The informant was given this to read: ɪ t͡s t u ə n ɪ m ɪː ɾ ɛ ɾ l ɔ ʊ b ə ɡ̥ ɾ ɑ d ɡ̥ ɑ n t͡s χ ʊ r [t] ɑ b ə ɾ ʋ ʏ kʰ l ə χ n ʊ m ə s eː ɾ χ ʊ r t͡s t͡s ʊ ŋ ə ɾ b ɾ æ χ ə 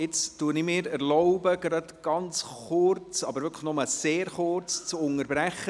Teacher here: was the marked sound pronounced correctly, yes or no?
no